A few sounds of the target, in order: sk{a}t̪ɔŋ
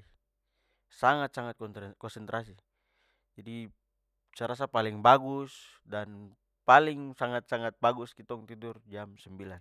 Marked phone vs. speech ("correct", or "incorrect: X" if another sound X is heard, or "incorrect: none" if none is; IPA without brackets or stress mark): incorrect: i